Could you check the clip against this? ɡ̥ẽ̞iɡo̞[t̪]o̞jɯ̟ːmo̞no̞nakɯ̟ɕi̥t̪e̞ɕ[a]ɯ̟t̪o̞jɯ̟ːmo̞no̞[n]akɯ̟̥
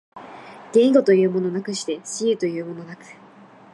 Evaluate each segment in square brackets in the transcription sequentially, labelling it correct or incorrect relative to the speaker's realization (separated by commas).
correct, incorrect, correct